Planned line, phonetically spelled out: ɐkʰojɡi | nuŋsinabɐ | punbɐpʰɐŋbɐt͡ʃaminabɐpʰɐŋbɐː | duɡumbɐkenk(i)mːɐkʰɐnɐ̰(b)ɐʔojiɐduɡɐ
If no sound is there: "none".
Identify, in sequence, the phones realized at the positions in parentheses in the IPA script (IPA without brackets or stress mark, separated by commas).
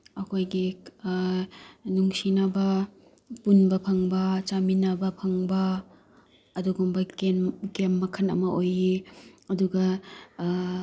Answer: e, m